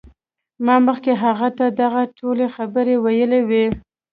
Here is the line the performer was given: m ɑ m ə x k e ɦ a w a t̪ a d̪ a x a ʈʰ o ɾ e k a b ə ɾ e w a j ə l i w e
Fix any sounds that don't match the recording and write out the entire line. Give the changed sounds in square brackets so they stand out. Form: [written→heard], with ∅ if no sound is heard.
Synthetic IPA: m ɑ m ə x k e ɦ a [w→ɣ] a t̪ a d̪ a [x→ɣ] a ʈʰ o [ɾ→l] e [k→x] a b ə ɾ e w a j ə l [i→e] w e